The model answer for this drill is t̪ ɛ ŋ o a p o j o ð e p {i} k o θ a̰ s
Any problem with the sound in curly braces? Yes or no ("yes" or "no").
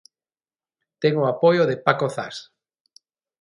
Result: yes